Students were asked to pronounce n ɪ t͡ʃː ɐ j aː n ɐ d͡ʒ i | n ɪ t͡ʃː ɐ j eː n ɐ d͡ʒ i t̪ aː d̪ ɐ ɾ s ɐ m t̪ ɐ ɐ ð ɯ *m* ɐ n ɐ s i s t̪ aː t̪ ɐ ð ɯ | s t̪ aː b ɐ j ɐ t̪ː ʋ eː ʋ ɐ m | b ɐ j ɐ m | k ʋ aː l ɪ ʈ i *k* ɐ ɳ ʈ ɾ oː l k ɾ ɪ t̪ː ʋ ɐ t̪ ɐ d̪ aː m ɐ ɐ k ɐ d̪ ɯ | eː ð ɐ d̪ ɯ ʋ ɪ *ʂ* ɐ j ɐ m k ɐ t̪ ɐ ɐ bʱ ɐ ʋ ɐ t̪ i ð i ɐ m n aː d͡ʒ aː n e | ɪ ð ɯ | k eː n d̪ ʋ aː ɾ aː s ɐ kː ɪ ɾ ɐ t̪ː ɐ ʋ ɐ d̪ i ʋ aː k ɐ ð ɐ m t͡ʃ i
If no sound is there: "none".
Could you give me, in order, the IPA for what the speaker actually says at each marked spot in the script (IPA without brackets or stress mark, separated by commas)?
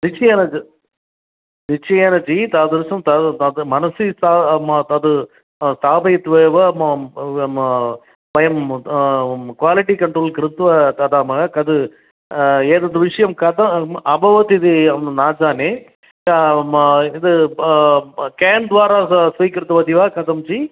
m, k, ʂ